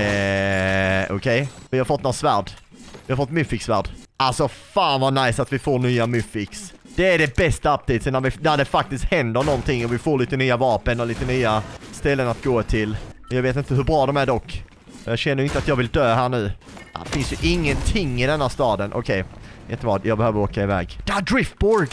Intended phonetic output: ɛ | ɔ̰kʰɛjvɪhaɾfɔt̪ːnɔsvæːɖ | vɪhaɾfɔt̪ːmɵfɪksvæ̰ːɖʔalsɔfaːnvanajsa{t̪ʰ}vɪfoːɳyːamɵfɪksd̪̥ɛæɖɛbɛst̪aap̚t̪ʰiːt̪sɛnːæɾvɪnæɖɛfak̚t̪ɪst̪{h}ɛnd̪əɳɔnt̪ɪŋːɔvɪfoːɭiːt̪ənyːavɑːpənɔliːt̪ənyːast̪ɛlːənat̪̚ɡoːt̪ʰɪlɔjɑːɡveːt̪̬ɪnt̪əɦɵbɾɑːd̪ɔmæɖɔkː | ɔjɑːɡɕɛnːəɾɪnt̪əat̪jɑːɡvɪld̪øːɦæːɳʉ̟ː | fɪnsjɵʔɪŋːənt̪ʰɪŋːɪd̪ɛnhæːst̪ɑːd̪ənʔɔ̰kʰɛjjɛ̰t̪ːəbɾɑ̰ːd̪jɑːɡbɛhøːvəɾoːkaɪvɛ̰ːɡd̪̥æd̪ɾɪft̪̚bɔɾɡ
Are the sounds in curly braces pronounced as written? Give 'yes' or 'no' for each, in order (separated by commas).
no, yes